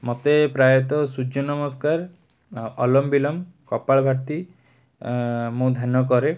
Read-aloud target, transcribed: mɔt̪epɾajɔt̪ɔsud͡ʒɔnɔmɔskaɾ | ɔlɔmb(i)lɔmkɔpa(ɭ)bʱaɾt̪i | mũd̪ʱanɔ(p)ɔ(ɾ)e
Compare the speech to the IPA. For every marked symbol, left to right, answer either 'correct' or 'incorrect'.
correct, correct, incorrect: k, correct

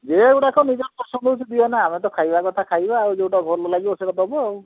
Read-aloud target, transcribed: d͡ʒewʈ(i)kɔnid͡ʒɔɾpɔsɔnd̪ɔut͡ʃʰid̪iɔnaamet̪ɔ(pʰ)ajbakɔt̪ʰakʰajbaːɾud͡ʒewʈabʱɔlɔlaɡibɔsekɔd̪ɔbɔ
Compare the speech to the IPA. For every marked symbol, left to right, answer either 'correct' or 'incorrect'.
incorrect: a, incorrect: kʰ

